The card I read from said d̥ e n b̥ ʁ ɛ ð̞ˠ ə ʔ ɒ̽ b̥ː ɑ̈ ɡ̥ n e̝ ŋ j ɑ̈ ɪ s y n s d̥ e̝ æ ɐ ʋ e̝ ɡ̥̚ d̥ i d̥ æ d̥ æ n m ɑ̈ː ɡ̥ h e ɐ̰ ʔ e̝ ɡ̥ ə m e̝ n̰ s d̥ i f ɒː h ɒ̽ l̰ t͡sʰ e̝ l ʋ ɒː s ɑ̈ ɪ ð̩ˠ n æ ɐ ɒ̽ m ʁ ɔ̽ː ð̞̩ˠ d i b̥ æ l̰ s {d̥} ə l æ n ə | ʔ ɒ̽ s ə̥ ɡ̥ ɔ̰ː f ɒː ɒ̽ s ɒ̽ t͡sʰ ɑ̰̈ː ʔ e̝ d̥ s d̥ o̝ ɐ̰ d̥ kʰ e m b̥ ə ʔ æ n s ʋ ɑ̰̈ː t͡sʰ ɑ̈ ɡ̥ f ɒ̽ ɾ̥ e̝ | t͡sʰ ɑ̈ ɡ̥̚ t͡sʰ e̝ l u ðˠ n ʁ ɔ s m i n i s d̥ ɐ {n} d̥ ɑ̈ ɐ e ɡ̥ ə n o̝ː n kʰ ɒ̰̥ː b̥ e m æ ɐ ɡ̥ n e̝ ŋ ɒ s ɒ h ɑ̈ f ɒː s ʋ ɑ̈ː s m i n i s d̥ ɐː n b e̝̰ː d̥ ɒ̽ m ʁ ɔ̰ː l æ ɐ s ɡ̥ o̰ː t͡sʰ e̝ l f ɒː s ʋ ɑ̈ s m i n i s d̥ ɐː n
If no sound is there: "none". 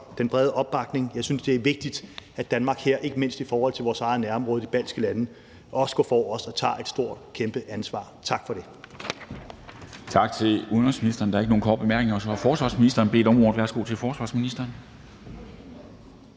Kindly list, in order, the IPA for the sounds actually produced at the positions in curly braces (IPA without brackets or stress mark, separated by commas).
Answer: ɡ̥, n